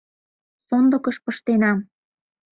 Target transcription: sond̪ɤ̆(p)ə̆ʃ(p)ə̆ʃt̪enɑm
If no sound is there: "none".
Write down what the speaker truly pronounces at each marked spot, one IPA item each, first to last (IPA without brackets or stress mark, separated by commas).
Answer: k, p